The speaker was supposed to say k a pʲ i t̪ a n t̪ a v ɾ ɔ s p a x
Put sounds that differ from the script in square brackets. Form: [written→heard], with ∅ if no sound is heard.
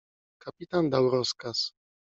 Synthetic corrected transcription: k a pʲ i t̪ a n [t̪→d̪] a [v→w] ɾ ɔ s [p→k] a [x→s]